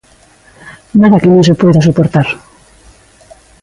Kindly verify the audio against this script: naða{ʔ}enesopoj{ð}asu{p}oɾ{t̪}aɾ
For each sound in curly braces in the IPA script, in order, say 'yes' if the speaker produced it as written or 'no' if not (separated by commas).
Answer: no, yes, yes, yes